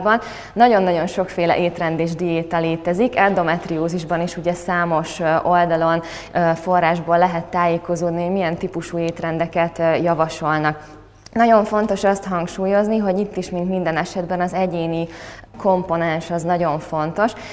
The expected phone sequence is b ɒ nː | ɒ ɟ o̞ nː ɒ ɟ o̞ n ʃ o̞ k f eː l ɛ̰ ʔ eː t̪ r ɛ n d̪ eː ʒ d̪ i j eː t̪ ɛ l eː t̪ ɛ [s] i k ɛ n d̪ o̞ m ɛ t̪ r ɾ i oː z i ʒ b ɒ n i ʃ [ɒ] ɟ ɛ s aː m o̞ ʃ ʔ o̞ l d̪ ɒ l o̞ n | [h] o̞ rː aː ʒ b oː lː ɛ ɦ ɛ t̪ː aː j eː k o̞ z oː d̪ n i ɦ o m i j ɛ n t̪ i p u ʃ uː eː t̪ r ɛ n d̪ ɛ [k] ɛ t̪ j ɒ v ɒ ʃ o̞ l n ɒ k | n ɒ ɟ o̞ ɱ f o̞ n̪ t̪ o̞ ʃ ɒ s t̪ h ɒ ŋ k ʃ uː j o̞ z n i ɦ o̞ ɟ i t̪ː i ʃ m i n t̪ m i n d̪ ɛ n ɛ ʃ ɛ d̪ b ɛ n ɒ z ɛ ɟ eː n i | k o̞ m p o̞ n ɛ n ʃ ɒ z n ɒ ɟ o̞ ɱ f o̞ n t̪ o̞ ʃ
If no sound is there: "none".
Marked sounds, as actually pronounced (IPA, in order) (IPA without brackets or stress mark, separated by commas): z, u, f, k